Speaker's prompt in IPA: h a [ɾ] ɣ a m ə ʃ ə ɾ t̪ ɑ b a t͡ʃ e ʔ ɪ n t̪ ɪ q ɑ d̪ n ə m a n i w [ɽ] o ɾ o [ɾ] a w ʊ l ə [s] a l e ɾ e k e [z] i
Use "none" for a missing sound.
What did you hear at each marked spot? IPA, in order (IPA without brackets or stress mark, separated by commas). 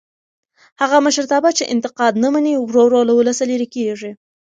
none, ɾ, l, s, ʐ